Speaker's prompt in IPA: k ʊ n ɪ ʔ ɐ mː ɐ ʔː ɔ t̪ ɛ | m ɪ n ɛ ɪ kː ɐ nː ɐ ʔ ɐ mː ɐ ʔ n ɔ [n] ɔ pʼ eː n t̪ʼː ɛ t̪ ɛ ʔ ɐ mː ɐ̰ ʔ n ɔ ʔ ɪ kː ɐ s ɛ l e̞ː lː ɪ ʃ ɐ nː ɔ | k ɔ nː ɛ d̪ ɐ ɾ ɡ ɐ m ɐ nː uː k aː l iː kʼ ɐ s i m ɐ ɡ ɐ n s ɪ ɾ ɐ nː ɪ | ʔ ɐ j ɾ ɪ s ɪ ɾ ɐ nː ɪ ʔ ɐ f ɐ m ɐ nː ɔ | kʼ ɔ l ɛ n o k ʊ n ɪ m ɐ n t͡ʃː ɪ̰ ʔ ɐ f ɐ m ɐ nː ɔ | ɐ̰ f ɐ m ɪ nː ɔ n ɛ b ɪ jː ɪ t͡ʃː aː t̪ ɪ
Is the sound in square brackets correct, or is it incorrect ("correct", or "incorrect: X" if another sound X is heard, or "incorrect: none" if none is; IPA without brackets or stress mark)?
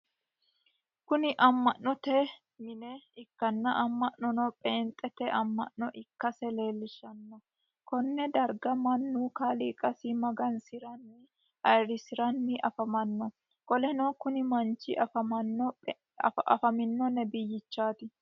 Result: correct